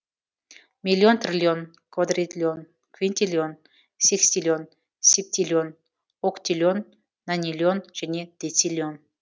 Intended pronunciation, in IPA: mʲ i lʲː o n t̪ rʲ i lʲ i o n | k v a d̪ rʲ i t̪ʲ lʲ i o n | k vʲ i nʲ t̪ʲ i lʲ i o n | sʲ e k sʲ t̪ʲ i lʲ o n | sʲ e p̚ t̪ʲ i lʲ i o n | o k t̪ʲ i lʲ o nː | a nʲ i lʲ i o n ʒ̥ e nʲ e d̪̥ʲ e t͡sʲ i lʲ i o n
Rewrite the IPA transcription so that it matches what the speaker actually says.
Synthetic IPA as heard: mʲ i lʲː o n t̪ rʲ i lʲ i o n | k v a d̪ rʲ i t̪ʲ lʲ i o n | k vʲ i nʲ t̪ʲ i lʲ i o n | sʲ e k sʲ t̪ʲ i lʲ o n | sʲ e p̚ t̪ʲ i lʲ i o n | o k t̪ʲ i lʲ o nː | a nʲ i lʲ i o n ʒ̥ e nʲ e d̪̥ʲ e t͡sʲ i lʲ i o n